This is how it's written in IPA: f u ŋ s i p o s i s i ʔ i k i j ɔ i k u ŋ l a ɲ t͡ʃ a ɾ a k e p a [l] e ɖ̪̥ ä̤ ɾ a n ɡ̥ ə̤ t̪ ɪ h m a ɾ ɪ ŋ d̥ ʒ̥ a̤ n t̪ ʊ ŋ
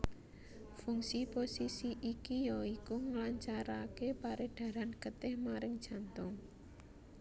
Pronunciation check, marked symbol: incorrect: ɾ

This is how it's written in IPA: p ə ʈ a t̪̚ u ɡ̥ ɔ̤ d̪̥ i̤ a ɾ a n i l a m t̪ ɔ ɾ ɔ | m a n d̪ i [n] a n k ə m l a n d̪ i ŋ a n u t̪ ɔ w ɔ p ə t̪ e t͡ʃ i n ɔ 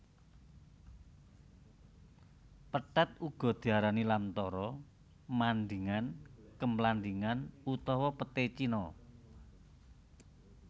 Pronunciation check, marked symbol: incorrect: ŋ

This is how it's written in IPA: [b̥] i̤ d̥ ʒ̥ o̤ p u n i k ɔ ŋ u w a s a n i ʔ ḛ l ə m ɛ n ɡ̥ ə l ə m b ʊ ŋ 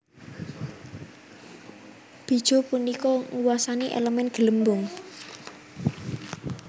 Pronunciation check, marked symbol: correct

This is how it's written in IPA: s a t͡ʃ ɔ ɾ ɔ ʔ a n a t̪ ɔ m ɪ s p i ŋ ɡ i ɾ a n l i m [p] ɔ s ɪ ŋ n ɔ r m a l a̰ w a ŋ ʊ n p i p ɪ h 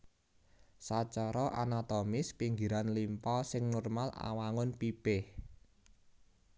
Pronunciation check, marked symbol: correct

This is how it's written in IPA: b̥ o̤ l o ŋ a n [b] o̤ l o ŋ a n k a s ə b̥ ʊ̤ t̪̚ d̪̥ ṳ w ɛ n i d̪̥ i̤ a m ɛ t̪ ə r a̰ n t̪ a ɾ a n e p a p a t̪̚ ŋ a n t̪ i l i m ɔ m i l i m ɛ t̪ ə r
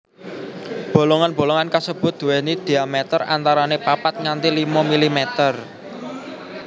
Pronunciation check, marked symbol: correct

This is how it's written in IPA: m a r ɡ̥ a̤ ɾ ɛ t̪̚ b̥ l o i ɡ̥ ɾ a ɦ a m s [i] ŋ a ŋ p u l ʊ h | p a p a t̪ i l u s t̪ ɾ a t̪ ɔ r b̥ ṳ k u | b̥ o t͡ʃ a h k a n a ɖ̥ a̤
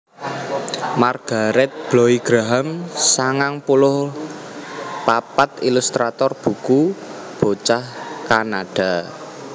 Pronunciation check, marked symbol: incorrect: a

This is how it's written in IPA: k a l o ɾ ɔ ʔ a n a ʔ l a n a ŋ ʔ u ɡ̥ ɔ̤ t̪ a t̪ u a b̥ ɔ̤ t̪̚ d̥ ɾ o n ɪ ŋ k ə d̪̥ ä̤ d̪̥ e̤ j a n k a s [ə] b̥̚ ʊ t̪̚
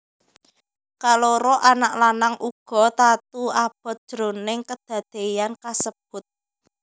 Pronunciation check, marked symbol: correct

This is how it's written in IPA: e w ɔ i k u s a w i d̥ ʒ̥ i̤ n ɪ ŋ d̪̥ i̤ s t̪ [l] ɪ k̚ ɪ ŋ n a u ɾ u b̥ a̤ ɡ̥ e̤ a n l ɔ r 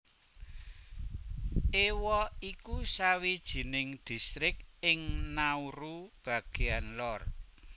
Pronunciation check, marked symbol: incorrect: ɾ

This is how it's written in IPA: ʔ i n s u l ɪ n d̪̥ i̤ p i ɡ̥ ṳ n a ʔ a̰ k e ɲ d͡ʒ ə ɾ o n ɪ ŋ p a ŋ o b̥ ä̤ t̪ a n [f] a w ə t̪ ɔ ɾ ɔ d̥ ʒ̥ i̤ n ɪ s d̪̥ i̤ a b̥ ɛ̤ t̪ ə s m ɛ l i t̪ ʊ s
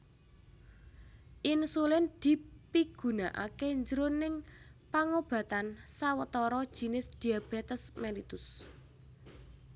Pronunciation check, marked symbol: incorrect: s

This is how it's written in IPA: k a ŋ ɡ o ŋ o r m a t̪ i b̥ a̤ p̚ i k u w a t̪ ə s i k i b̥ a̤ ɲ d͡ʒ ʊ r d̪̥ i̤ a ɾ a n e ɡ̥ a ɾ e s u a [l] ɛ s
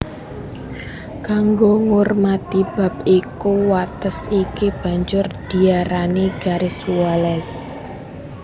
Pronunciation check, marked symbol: correct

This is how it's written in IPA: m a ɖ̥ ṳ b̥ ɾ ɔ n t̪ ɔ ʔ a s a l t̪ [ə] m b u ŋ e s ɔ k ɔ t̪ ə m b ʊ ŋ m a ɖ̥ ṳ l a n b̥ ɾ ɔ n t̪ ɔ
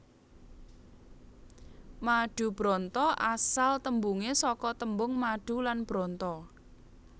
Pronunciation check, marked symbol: correct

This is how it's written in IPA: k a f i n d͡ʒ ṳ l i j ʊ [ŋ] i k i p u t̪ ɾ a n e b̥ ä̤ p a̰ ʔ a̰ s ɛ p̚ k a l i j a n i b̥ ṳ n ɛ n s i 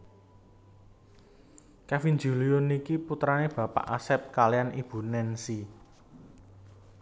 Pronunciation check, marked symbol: incorrect: n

